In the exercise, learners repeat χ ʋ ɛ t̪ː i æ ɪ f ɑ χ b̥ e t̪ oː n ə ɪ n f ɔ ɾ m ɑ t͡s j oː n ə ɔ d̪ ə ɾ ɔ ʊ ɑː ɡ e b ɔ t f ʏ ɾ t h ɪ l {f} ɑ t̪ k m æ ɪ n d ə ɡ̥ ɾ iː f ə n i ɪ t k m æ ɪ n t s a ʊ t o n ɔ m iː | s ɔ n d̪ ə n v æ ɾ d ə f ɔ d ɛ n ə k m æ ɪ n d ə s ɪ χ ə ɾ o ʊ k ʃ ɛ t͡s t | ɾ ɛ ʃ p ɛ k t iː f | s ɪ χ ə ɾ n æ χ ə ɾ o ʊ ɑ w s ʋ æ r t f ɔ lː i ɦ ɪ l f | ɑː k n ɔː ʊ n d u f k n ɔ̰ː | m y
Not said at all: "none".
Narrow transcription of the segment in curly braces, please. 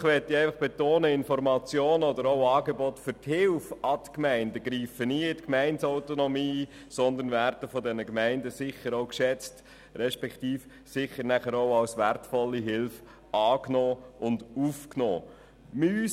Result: f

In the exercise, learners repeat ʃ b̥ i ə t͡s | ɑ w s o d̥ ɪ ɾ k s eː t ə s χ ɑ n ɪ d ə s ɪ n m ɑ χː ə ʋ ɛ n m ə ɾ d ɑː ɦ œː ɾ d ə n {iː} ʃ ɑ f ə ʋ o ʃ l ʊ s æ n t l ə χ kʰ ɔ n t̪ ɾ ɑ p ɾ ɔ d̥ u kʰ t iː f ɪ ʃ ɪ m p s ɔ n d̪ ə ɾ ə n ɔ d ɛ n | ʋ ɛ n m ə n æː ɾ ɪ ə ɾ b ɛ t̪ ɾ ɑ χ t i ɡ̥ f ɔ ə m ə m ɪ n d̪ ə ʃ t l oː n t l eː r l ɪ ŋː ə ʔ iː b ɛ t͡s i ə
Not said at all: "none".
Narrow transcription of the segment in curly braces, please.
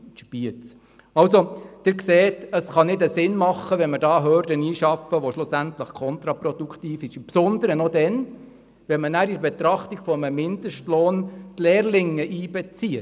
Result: iː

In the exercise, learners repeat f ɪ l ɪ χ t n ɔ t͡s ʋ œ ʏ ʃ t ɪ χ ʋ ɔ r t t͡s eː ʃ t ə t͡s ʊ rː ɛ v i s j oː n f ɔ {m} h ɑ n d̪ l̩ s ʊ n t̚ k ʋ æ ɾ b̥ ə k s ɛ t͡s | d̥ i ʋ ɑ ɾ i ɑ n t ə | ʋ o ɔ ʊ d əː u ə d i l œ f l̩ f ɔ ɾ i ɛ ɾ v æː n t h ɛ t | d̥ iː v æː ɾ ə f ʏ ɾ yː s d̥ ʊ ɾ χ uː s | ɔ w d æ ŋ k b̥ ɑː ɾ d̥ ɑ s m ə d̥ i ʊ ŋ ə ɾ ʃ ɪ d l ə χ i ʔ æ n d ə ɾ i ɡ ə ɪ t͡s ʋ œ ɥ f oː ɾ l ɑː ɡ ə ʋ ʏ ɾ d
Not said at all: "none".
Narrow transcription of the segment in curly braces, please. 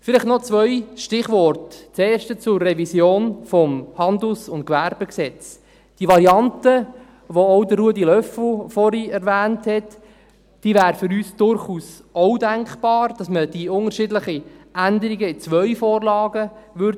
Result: m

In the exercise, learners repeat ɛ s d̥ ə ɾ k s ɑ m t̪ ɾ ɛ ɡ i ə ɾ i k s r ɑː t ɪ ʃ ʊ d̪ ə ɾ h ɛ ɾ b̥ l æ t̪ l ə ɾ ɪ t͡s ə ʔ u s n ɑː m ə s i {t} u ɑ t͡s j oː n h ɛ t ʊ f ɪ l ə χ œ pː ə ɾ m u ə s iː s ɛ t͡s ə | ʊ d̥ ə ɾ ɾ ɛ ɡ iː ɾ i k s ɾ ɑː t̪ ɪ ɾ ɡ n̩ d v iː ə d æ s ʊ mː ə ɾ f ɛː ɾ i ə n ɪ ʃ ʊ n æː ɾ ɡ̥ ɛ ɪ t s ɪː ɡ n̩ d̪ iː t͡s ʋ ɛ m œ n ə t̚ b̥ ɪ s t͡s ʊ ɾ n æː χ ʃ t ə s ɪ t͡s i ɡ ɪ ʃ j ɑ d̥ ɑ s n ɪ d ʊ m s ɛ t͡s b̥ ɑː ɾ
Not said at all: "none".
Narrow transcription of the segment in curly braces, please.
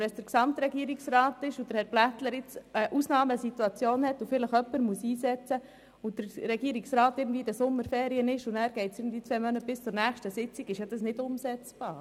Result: t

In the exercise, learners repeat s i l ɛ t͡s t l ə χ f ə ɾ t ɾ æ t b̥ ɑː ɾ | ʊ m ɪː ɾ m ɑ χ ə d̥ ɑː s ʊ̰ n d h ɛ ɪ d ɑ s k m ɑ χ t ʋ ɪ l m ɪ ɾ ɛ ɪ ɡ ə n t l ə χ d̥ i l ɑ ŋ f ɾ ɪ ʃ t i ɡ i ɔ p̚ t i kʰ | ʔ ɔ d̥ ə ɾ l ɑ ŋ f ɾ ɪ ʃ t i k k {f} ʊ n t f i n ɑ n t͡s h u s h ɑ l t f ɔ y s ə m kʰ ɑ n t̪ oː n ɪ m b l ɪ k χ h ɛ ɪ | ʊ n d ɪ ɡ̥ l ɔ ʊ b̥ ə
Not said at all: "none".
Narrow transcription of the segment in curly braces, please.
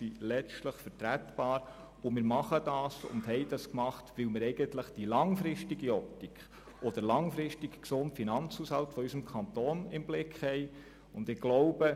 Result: s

